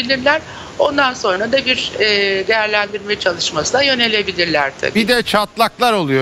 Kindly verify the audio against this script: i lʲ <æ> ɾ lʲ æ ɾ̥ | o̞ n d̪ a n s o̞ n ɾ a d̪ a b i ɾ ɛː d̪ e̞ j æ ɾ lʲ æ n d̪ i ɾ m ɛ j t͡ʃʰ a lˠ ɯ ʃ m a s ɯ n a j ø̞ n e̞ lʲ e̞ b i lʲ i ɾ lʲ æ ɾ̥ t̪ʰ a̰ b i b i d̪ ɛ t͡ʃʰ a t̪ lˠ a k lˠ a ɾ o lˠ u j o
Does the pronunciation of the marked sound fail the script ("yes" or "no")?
yes